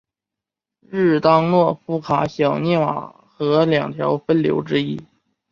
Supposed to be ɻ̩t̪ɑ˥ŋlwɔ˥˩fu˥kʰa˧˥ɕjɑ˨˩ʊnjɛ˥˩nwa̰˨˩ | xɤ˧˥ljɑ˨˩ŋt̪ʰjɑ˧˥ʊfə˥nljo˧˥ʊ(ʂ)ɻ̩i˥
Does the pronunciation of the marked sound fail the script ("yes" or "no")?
yes